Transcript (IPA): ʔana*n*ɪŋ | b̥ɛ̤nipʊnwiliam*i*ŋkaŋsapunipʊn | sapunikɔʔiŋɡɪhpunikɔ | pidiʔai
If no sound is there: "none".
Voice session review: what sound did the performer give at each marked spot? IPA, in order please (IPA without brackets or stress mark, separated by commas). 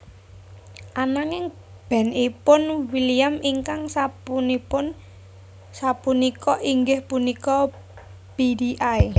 ŋ, i